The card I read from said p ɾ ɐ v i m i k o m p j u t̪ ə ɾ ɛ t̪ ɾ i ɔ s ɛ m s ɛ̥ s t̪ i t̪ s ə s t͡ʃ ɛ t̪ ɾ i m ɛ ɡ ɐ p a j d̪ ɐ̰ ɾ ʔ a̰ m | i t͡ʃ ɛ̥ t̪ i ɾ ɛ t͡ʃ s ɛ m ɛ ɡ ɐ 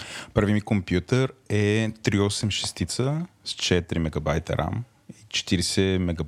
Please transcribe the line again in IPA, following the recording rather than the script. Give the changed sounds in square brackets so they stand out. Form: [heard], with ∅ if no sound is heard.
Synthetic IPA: p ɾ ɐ v i m i k o m p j u t̪ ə ɾ ɛ t̪ ɾ i ɔ s ɛ m [ʃ] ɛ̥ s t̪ i t̪ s ə s t͡ʃ ɛ t̪ ɾ i m ɛ ɡ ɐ [b] a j [t̪] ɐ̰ ɾ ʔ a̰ m | i t͡ʃ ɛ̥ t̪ i ɾ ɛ [∅] s ɛ m ɛ ɡ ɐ